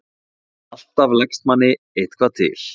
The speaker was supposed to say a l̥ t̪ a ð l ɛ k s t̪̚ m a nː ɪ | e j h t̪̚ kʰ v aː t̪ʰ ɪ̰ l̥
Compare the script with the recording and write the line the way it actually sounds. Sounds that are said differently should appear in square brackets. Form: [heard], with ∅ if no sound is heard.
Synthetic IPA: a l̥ t̪ a [v] l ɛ k s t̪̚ m a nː ɪ | e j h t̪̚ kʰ v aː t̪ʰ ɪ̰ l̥